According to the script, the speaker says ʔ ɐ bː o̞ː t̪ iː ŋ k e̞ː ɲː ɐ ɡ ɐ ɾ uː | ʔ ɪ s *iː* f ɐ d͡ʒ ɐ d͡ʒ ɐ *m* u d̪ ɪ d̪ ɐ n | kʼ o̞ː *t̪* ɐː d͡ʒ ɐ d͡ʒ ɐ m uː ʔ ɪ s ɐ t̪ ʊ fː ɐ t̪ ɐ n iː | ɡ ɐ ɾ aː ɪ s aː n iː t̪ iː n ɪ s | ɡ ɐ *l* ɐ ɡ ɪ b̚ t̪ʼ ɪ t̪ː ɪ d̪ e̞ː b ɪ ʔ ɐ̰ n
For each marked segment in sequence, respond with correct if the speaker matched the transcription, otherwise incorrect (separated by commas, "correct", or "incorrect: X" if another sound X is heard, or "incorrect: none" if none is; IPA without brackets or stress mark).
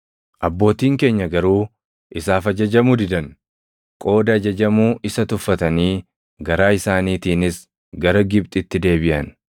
incorrect: aː, correct, incorrect: d̪, incorrect: ɾ